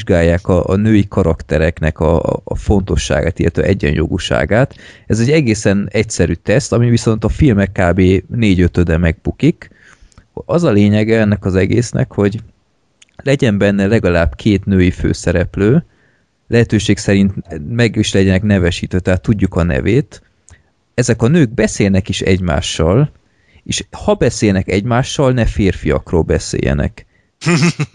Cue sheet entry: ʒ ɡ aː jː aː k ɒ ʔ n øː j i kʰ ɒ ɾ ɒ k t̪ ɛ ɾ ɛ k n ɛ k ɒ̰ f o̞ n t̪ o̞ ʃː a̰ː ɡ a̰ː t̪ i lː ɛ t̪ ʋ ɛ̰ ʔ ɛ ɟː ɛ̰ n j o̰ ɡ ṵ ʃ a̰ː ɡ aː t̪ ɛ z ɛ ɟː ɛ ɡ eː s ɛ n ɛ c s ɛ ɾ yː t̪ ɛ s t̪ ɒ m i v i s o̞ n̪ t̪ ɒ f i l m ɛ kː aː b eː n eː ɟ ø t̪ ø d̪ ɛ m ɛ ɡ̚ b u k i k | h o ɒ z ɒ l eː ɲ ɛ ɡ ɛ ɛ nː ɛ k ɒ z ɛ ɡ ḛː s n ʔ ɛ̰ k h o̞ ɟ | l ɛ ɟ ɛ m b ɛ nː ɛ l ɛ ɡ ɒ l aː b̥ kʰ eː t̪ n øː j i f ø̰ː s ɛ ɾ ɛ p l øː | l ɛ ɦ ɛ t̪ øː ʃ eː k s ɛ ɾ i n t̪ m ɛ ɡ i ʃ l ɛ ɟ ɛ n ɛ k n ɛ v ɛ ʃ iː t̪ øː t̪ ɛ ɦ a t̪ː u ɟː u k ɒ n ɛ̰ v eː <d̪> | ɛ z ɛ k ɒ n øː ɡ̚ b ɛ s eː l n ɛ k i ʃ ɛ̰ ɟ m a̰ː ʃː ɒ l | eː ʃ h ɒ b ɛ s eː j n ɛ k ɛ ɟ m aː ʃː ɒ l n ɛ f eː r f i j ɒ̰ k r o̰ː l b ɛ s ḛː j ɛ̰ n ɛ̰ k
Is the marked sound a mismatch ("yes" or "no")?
yes